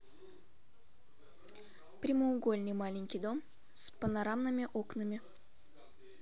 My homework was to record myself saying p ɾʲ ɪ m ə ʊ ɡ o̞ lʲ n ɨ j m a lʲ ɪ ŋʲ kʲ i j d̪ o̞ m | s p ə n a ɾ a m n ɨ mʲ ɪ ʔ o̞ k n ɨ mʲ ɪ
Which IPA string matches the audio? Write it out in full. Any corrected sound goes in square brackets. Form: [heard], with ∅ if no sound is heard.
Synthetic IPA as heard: p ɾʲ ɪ m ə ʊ ɡ o̞ lʲ n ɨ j m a lʲ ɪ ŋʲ kʲ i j d̪ o̞ m | s p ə n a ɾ a m n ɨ mʲ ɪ ʔ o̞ k n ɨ mʲ ɪ